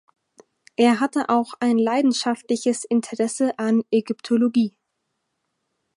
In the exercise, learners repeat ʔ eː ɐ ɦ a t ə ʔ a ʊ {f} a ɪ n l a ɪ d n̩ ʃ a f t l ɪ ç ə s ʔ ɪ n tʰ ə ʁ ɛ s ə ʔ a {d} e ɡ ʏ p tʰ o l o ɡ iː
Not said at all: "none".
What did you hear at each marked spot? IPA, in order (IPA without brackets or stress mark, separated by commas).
x, n